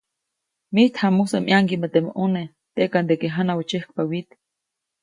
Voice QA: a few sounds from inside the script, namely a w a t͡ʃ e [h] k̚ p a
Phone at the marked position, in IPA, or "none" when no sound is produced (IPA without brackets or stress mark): h